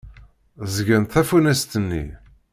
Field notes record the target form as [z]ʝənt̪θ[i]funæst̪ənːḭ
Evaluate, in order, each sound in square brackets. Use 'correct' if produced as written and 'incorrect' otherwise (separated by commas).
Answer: correct, incorrect